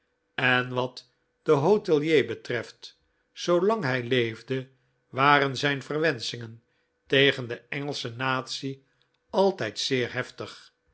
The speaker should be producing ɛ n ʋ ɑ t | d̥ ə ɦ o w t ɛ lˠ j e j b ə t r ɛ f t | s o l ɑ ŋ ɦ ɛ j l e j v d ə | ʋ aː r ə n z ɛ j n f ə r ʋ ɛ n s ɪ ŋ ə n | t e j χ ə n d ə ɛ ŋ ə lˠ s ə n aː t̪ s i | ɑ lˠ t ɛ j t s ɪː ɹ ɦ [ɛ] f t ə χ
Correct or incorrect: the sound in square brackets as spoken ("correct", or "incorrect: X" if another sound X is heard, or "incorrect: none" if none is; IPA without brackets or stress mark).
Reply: correct